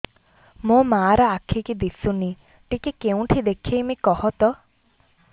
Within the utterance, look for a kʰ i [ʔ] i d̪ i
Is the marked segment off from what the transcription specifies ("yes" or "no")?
yes